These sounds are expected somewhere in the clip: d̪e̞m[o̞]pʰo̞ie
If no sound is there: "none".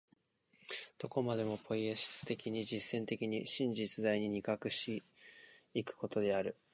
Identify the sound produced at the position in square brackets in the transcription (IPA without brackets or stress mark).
o̞